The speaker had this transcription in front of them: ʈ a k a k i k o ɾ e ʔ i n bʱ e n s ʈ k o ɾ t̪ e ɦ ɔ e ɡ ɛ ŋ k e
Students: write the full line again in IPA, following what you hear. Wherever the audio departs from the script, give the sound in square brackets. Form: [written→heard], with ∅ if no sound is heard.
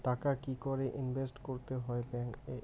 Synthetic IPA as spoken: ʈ a k a k i k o ɾ e ʔ i n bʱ e [n→∅] s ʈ k o ɾ t̪ e ɦ ɔ e [ɡ→b] ɛ ŋ k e